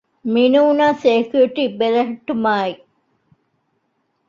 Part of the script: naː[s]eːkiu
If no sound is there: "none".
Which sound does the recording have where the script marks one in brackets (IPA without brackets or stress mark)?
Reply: s